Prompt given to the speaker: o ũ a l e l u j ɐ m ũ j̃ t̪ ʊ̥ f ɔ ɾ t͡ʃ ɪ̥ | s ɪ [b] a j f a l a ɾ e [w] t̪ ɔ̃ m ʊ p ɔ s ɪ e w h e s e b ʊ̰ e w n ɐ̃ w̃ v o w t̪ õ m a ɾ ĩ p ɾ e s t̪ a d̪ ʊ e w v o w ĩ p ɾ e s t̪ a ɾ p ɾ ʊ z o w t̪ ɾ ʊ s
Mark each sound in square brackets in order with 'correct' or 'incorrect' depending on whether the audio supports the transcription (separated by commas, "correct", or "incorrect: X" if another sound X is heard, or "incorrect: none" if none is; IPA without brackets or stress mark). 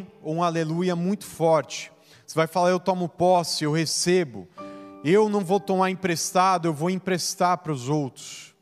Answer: incorrect: v, correct